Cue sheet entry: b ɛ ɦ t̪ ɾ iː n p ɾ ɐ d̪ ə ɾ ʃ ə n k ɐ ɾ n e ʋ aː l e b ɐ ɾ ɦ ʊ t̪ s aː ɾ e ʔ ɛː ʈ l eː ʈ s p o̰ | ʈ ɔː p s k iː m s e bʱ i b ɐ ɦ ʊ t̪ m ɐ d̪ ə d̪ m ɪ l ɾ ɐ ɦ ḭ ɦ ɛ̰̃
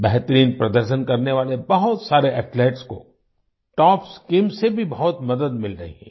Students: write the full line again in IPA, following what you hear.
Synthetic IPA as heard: b ɛ ɦ t̪ ɾ iː n p ɾ ɐ d̪ ə ɾ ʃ ə n k ɐ ɾ n e ʋ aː l e b ɐ ɦ ʊ t̪ s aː ɾ e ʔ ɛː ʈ l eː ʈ s k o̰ | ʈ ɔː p s k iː m s e bʱ i b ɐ ɦ ʊ t̪ m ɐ d̪ ə d̪ m ɪ l ɾ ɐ ɦ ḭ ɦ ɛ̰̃